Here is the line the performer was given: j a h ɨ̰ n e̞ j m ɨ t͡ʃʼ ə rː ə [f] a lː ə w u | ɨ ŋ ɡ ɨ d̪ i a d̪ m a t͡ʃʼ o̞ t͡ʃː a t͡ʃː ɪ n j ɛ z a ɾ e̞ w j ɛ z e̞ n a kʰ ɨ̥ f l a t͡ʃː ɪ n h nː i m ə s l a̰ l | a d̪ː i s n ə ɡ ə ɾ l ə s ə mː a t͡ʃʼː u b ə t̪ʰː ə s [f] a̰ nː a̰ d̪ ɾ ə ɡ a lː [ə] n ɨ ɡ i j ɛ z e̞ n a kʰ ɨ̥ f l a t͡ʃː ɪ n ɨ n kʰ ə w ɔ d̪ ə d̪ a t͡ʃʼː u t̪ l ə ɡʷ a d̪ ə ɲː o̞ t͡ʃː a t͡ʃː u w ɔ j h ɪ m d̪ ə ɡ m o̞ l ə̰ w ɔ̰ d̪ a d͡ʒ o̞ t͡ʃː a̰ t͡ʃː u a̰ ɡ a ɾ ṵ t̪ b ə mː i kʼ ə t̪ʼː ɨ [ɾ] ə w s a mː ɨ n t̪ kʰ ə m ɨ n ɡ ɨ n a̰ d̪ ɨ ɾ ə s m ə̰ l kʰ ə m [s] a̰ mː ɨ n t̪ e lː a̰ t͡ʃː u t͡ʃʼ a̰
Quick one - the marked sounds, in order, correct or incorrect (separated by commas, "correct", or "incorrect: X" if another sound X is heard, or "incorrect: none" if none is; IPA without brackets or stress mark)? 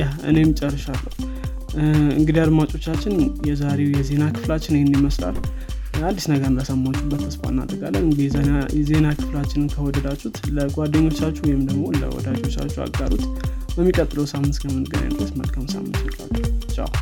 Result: incorrect: ʃ, correct, correct, incorrect: l, correct